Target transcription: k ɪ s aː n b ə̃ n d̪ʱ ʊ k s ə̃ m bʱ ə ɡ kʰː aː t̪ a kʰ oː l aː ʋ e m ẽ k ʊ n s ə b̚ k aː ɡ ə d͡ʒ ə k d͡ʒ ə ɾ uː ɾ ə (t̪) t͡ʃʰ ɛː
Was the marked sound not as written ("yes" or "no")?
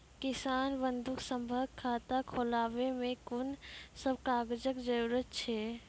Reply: no